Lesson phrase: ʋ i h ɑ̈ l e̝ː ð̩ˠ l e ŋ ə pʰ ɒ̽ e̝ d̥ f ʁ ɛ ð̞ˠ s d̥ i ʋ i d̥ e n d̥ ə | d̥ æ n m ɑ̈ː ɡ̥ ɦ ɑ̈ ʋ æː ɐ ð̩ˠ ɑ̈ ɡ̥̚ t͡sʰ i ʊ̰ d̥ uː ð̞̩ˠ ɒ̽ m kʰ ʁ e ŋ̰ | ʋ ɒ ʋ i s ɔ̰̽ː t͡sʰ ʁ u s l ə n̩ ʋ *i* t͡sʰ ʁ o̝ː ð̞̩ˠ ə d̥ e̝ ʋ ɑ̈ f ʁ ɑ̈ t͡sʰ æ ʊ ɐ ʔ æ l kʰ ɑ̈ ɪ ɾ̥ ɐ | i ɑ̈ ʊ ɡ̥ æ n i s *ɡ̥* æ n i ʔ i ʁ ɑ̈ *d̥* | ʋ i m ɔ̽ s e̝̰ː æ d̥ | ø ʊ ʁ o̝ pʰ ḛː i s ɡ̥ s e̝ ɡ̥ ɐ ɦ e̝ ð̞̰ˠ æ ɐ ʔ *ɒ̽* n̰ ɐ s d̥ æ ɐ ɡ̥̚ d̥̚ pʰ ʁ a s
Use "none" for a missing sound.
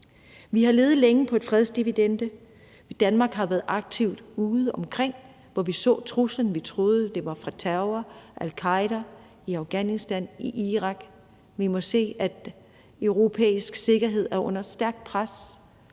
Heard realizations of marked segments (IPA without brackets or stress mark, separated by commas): i, d̥, ɡ̥, ɔ̽